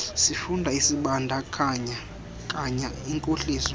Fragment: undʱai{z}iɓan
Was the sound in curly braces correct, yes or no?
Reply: no